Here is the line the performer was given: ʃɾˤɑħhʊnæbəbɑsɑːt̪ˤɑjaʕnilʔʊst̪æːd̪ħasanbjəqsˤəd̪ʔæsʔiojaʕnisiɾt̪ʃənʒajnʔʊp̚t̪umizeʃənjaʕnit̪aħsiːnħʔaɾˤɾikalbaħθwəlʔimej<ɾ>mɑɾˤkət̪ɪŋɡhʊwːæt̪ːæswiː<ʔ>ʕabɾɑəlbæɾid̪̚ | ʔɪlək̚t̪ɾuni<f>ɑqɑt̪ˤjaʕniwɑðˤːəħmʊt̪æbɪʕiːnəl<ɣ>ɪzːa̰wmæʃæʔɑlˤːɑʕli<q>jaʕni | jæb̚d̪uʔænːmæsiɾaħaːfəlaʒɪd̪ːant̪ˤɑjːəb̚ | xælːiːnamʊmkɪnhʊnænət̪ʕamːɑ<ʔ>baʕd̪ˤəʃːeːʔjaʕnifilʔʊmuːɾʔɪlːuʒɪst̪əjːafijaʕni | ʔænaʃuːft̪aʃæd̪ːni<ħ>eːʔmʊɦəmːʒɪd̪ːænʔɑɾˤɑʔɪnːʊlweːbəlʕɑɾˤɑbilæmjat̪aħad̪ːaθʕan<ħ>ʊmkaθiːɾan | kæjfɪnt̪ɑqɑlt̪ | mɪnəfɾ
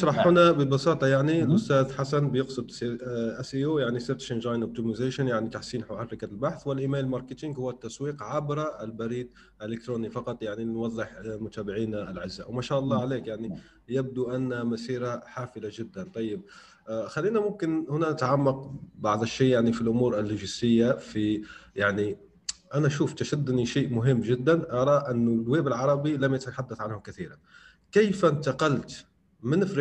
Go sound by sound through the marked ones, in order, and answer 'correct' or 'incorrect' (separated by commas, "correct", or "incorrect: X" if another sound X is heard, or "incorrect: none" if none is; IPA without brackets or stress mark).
incorrect: l, incorrect: q, correct, incorrect: ʕ, incorrect: k, incorrect: q, incorrect: ʃ, incorrect: h